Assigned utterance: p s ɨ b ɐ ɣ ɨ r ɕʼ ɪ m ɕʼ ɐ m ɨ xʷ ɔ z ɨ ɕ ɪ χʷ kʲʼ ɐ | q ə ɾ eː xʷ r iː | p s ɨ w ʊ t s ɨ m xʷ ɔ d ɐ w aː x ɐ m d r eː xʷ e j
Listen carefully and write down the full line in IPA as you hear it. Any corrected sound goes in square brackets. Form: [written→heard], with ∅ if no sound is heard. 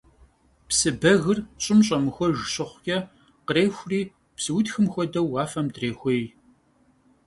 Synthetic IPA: p s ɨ b ɐ ɣ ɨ r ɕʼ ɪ m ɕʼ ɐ m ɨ xʷ ɔ [z→ʒ] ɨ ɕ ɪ χʷ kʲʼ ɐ | q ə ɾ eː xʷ r iː | p s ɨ w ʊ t [s→x] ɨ m xʷ ɔ d ɐ w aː [x→f] ɐ m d r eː xʷ e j

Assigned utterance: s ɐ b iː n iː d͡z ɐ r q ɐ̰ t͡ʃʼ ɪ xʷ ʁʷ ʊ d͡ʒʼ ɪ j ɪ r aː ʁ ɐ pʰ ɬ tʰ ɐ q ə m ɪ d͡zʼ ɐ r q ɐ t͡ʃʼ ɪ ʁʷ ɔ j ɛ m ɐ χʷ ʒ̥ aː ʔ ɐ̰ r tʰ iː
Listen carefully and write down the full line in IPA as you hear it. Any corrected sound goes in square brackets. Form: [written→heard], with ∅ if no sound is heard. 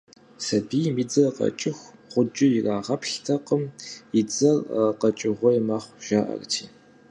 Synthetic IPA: s ɐ b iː [n→m] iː d͡z ɐ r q ɐ̰ t͡ʃʼ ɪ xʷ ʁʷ ʊ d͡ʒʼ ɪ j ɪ r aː ʁ ɐ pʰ ɬ tʰ ɐ q ə m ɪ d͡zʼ ɐ r q ɐ t͡ʃʼ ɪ ʁʷ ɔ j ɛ m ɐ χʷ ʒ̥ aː ʔ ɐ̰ r tʰ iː

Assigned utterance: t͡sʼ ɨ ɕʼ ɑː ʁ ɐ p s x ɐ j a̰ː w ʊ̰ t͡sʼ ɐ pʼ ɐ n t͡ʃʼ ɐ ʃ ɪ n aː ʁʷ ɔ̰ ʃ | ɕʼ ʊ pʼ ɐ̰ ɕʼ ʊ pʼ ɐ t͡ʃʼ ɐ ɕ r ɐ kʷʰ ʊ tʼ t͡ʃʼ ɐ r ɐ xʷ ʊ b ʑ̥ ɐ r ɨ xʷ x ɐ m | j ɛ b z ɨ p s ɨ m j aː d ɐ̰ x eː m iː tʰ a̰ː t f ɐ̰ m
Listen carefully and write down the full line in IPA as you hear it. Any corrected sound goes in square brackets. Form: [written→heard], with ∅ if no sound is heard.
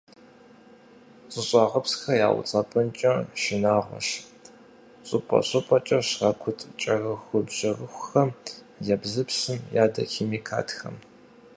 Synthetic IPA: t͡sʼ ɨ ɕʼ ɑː ʁ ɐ p s x ɐ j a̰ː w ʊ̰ t͡sʼ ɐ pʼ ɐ n t͡ʃʼ ɐ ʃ ɪ n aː ʁʷ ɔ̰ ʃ | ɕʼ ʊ pʼ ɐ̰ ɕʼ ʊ pʼ ɐ t͡ʃʼ ɐ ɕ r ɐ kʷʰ ʊ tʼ t͡ʃʼ ɐ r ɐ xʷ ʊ b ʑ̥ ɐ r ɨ xʷ x ɐ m | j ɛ b z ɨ p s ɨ m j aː d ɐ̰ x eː m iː [tʰ→kʰ] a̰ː t [f→x] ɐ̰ m

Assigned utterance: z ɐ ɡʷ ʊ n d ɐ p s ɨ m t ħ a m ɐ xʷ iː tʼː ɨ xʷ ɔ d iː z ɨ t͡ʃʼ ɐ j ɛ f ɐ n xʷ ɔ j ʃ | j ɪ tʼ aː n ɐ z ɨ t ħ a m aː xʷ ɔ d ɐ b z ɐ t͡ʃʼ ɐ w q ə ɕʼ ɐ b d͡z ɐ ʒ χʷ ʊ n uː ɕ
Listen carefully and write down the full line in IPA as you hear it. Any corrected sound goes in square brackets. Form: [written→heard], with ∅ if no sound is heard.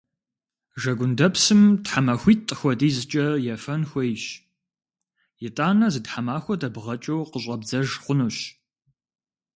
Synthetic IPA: [z→ʒ] ɐ ɡʷ ʊ n d ɐ p s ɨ m t ħ a m ɐ xʷ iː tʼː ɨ xʷ ɔ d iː z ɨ t͡ʃʼ ɐ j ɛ f ɐ n xʷ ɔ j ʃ | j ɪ tʼ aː n ɐ z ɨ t ħ a m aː xʷ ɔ d ɐ b [z→ʁ] ɐ t͡ʃʼ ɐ w q ə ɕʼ ɐ b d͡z ɐ ʒ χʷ ʊ n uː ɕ

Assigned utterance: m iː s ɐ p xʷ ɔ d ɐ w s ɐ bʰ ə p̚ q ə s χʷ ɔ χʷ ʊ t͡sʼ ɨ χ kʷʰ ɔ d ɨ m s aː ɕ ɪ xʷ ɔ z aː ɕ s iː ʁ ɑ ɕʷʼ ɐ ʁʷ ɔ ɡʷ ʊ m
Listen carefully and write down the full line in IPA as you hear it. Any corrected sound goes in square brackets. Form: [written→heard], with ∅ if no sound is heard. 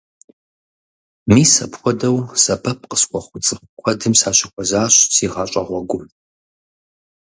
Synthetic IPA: m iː s ɐ p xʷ ɔ d ɐ w s ɐ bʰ [ə→ɐ] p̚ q ə s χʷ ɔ χʷ ʊ t͡sʼ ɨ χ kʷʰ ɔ d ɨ m s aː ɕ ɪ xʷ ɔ z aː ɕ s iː ʁ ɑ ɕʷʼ ɐ ʁʷ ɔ ɡʷ ʊ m

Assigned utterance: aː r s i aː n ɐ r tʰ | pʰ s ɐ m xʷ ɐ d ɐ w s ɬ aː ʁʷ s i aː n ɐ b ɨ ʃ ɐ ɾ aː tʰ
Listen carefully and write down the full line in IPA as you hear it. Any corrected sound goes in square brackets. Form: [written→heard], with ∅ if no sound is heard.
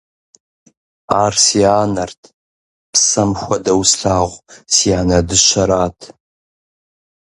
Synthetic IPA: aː r s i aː n ɐ r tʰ | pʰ s ɐ m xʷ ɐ d ɐ w s ɬ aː ʁʷ s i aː n ɐ [b→d] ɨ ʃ ɐ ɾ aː tʰ

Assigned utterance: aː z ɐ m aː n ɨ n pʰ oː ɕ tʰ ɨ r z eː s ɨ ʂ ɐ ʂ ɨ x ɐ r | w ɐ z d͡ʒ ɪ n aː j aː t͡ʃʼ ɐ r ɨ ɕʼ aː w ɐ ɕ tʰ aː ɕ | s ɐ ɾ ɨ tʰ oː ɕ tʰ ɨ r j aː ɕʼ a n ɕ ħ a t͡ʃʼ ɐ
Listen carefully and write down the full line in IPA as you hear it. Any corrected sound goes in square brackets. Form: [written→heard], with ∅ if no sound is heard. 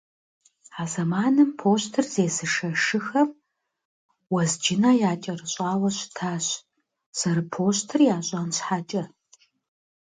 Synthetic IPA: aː z ɐ m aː n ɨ [n→m] pʰ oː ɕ tʰ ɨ r z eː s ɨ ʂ ɐ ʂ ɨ x ɐ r | w ɐ z d͡ʒ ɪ n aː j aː t͡ʃʼ ɐ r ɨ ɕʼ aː w ɐ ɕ tʰ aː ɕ | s ɐ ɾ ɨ [tʰ→pʰ] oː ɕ tʰ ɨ r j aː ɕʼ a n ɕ ħ a t͡ʃʼ ɐ

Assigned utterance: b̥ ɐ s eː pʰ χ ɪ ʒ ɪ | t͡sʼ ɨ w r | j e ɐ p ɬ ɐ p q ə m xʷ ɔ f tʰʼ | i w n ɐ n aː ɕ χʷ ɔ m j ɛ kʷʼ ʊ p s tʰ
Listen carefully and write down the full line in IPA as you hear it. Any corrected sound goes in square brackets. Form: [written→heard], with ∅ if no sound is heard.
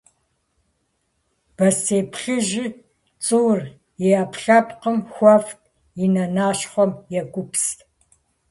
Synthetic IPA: b̥ ɐ s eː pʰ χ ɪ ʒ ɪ | t͡sʼ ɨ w r | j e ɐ p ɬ ɐ p q ə m xʷ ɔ f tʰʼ | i [w→∅] n ɐ n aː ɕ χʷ ɔ m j ɛ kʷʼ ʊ p s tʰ

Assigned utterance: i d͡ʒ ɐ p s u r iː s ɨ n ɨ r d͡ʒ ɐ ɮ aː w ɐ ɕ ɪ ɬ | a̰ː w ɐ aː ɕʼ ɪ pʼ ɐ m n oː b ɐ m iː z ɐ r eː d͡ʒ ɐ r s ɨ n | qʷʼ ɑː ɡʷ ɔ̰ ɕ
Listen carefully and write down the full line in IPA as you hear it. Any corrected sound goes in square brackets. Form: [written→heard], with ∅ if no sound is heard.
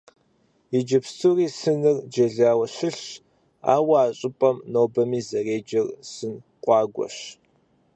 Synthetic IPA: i d͡ʒ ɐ p s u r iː s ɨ n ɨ r d͡ʒ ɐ ɮ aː w ɐ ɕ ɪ ɬ | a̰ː w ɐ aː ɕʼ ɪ pʼ ɐ m n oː b ɐ m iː z ɐ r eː d͡ʒ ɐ r s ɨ n | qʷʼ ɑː ɡʷ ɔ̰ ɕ

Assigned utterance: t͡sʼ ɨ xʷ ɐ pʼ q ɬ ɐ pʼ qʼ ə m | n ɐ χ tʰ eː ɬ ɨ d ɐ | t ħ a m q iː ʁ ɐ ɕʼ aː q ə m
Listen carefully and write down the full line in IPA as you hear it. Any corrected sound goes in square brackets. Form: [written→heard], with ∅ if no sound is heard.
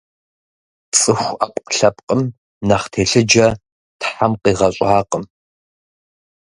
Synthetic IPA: t͡sʼ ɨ xʷ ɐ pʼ q ɬ ɐ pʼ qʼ ə m | n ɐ χ tʰ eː ɬ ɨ [d→d͡ʒ] ɐ | t ħ a m q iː ʁ ɐ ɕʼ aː q ə m

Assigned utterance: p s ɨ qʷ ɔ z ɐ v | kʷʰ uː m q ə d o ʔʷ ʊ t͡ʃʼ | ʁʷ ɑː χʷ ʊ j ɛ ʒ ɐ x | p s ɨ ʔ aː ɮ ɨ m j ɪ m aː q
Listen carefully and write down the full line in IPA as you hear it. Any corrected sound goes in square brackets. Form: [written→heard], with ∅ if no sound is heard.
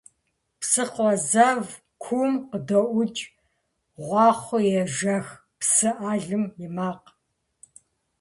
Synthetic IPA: p s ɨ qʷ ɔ z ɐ v | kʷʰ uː m q ə d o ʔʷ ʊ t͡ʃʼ | ʁʷ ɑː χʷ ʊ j ɛ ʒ ɐ x | p s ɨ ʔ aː ɮ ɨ m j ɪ m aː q

